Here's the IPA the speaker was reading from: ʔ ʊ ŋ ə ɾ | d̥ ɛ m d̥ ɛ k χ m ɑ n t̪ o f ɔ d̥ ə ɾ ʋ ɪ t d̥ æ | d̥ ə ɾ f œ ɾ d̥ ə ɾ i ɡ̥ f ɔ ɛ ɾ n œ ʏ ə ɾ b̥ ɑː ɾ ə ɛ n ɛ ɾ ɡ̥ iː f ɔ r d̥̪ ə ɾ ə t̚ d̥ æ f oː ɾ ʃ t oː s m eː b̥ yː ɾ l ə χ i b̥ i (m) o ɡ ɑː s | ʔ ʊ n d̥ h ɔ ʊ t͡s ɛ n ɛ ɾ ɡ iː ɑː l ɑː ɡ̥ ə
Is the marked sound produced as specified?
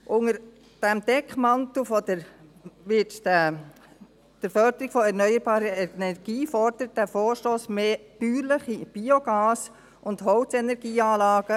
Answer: no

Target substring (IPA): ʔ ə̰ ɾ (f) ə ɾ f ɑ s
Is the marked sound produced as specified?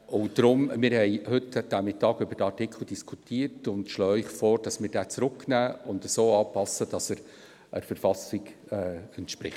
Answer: yes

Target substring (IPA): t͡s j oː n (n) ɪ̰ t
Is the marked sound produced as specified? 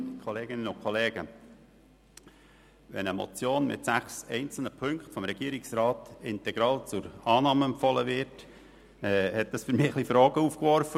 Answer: no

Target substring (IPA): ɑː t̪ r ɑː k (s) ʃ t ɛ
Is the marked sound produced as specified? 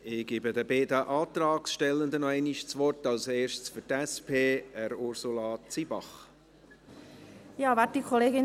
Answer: yes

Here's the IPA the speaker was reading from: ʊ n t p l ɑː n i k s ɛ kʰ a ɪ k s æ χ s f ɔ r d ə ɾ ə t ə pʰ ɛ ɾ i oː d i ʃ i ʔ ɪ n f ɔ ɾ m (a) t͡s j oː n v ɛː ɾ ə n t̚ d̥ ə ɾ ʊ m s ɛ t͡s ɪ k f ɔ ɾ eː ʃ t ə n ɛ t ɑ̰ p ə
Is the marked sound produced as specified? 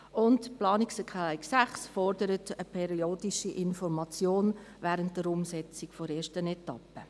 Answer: no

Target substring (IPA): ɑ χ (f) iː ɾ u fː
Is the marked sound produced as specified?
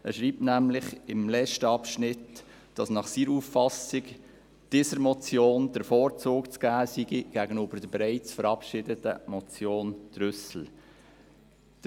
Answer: no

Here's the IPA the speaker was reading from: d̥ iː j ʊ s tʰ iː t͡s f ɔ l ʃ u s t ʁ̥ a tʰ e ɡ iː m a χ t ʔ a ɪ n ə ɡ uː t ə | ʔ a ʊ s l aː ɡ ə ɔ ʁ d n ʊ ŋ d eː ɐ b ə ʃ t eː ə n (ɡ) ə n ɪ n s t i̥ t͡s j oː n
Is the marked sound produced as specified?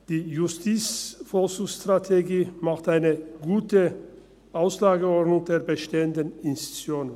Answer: no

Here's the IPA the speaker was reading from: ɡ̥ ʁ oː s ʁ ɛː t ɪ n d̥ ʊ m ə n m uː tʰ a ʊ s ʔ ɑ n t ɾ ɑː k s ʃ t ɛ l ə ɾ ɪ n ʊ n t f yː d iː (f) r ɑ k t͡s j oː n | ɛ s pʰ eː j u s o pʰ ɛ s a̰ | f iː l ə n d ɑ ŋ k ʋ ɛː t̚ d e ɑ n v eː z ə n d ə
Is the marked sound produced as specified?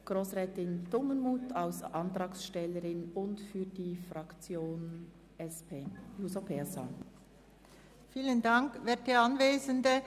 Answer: yes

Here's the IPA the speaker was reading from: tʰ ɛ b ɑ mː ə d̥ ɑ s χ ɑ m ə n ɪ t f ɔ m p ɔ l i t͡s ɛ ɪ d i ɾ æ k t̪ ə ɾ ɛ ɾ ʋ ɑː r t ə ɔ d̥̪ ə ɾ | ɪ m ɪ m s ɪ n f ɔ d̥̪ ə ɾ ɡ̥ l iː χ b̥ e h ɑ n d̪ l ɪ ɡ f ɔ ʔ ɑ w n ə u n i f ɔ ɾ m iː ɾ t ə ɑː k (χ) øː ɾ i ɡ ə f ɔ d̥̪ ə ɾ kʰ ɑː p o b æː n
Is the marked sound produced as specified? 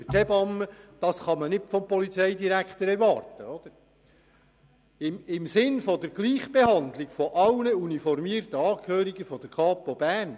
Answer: no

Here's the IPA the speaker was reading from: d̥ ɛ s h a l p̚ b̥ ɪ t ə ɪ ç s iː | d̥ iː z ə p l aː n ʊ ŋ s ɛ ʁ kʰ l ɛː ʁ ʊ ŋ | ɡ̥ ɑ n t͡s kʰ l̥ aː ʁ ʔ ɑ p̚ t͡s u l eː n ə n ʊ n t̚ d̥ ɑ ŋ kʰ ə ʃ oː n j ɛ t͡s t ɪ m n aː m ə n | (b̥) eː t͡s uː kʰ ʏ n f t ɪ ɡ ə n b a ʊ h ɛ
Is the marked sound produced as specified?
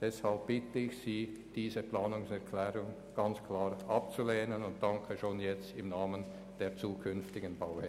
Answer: no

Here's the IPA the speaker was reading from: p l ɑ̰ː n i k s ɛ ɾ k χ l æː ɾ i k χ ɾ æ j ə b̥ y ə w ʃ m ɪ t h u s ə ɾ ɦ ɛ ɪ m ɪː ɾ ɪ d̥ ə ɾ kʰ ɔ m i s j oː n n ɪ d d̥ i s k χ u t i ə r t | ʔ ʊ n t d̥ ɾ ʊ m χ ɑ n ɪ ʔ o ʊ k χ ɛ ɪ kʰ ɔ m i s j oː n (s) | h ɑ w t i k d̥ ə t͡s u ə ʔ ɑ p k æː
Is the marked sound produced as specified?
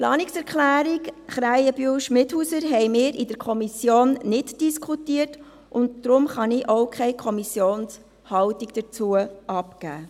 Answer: yes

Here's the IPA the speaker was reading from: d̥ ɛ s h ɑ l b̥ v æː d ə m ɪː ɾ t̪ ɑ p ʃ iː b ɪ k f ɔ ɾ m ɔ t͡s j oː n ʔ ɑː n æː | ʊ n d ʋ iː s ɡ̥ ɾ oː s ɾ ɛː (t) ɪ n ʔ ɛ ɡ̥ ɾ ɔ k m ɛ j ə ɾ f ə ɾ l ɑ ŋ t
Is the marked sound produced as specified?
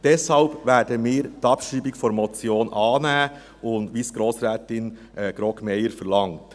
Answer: yes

